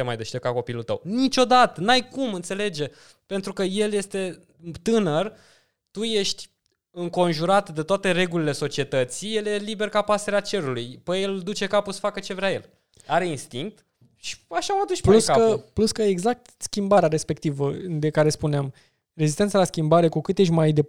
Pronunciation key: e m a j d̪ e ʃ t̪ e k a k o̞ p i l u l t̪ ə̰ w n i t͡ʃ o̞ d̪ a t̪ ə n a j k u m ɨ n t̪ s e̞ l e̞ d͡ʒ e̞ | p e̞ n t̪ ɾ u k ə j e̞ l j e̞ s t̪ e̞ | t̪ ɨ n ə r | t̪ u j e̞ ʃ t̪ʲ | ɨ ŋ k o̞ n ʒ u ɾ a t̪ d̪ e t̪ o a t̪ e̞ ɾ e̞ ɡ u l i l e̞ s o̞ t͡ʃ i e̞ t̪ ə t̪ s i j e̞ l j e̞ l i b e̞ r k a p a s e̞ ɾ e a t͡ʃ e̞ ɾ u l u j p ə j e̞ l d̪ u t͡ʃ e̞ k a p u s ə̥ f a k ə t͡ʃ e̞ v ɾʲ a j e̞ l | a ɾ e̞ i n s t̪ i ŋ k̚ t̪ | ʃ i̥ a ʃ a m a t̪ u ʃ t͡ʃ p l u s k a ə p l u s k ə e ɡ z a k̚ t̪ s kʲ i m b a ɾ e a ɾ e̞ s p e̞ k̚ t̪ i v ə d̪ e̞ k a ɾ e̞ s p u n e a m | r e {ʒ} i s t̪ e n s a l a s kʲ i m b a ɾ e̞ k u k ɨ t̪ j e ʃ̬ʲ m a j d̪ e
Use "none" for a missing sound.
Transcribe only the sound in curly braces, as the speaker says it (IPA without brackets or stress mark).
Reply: z